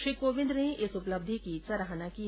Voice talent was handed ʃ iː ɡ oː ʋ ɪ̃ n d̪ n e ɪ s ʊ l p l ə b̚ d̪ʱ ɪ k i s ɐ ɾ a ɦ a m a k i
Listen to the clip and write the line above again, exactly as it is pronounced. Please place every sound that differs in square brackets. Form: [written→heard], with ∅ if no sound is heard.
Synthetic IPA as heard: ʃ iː [ɡ→k] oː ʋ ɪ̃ n d̪ n e ɪ s ʊ [l→∅] p l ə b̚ d̪ʱ [ɪ→i] k i s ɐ ɾ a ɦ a [m→n] a k i